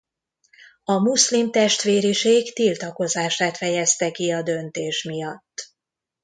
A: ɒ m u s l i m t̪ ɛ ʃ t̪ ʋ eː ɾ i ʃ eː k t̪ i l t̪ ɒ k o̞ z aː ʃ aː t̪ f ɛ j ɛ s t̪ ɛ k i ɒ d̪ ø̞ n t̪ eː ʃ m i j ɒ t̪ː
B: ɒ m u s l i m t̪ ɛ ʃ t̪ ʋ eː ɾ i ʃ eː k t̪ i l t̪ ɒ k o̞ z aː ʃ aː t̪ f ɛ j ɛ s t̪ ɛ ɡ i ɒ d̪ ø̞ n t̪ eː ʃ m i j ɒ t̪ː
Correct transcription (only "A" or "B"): A